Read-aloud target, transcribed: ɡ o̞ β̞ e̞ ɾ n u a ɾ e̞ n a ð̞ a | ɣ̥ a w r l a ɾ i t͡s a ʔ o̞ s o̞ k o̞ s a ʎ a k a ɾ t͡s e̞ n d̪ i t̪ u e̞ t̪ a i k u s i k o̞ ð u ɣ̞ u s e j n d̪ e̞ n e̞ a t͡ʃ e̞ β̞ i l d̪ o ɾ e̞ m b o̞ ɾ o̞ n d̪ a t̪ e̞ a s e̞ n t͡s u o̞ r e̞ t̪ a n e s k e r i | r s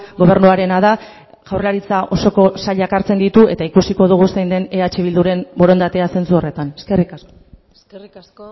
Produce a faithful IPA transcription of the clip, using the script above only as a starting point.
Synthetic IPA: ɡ o̞ β̞ e̞ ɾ n u a ɾ e̞ n a ð̞ a | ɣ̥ a w r l a ɾ i t͡s a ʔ o̞ s o̞ k o̞ s a ʎ a k a ɾ t͡s e̞ n d̪ i t̪ u e̞ t̪ a i k u s i k o̞ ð u ɣ̞ u s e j n d̪ e̞ n e̞ a t͡ʃ e̞ β̞ i l d̪ u ɾ e̞ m b o̞ ɾ o̞ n d̪ a t̪ e̞ a s e̞ n t͡s u o̞ r e̞ t̪ a n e s k e r i | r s